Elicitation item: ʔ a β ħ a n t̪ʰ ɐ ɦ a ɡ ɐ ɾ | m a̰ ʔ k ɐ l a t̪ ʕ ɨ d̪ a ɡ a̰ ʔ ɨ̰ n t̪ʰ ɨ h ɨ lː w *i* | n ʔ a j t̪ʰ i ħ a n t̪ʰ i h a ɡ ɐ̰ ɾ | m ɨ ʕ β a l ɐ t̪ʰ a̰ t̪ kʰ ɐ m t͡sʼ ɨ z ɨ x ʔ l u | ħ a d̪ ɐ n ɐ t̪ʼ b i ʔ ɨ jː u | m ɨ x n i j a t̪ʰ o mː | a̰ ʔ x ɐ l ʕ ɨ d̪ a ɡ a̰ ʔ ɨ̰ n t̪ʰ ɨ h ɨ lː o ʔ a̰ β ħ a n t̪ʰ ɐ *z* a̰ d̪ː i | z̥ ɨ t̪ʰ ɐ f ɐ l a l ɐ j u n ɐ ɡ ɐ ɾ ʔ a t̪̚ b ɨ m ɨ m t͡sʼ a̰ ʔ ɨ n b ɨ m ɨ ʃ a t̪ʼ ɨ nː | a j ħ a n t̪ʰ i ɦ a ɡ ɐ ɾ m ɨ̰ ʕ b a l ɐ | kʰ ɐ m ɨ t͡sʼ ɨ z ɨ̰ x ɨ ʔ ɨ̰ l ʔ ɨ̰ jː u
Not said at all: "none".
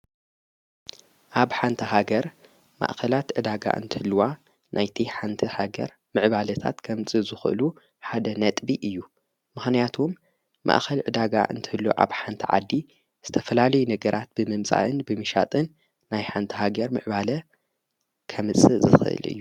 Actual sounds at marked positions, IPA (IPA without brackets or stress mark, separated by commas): a, ʕ